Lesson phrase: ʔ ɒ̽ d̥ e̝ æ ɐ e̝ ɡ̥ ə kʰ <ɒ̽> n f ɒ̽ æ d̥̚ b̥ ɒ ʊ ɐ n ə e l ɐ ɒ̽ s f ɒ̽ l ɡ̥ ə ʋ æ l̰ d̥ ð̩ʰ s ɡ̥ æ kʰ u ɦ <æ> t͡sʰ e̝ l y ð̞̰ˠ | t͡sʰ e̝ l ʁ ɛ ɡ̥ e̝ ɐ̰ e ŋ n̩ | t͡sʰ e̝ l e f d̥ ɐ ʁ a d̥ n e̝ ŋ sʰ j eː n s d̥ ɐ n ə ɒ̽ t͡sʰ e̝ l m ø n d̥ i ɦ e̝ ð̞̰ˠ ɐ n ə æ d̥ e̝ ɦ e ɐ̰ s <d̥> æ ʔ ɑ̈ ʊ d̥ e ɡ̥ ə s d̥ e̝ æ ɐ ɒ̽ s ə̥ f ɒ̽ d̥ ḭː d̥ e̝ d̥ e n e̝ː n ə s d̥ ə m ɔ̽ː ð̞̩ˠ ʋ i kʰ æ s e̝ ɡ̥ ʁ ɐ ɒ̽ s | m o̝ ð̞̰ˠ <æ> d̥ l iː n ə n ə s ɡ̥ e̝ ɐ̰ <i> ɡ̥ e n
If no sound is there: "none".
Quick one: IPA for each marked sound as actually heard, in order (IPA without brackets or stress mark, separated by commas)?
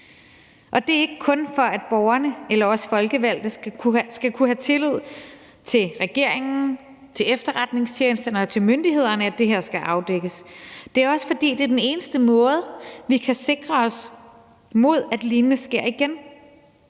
ɔ̽, æ, ɡ̥, æ, i